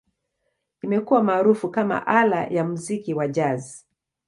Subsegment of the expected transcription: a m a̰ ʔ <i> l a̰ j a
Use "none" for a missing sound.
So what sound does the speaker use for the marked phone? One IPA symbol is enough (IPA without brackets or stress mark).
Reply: a